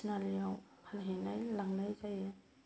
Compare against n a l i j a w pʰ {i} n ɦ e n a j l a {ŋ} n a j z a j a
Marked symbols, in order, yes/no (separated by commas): no, yes